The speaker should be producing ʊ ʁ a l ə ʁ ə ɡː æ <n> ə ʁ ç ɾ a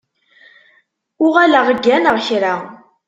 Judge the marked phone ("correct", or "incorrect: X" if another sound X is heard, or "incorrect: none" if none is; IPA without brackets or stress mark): correct